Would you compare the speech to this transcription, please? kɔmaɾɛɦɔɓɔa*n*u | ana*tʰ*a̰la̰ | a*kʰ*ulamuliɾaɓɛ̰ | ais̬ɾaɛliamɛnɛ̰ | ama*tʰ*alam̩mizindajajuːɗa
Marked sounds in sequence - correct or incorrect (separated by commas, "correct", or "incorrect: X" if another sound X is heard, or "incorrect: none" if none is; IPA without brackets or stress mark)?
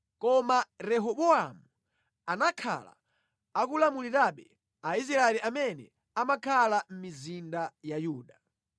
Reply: incorrect: m, incorrect: kʰ, incorrect: k, incorrect: kʰ